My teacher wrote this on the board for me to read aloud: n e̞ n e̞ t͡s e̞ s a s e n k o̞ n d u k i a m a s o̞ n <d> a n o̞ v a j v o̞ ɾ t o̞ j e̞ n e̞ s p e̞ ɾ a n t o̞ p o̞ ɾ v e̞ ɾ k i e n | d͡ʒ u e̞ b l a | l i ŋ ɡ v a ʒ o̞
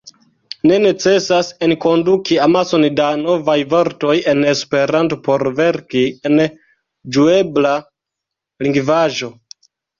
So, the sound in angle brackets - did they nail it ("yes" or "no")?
yes